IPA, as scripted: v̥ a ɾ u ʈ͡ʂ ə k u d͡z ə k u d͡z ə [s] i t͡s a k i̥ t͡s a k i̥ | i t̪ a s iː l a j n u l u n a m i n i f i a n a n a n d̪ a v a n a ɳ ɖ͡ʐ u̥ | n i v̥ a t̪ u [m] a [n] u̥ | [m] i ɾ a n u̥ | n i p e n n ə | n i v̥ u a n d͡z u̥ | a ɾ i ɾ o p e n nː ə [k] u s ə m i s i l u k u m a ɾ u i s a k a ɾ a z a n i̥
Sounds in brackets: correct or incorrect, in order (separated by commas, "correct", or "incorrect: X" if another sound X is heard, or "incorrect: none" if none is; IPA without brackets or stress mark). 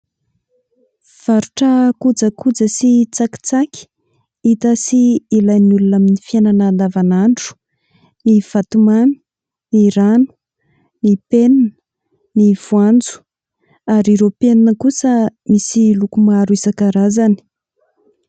correct, correct, correct, incorrect: n, correct